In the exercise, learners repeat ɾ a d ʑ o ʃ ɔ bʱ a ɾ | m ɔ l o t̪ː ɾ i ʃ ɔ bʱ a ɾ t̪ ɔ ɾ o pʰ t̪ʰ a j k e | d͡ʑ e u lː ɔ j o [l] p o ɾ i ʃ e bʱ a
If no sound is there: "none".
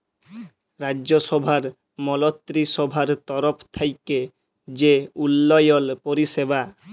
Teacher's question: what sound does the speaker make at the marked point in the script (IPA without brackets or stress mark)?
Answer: l